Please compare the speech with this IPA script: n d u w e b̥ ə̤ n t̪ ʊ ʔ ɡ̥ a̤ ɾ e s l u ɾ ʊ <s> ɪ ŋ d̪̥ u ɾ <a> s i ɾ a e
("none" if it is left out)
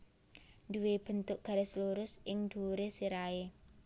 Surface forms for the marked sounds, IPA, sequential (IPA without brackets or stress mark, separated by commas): s, e